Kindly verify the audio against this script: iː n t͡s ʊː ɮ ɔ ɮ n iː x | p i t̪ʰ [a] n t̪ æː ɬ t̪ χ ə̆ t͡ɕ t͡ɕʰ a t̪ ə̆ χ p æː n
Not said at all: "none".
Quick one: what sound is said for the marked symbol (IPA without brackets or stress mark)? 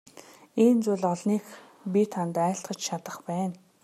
a